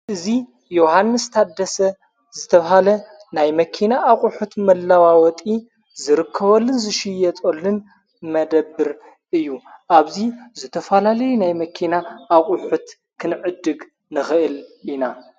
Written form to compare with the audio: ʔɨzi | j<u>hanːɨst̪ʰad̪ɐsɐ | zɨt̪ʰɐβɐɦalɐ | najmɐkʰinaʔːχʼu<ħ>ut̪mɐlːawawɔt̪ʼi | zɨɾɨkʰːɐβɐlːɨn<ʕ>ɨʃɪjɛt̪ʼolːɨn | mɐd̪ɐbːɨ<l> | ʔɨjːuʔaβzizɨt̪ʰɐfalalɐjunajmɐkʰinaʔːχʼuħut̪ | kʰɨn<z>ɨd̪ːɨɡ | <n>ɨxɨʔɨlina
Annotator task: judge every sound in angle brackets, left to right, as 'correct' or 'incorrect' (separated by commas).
incorrect, correct, incorrect, incorrect, incorrect, correct